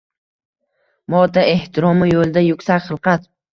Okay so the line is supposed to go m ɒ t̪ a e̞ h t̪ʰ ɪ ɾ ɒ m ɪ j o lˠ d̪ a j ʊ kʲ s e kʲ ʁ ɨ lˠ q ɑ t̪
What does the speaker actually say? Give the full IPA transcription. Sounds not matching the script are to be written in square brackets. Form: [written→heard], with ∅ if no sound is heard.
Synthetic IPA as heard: m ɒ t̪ a e̞ h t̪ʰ ɪ ɾ ɒ m ɪ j o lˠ d̪ a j ʊ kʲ s [e→a] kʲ [ʁ→χ] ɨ lˠ q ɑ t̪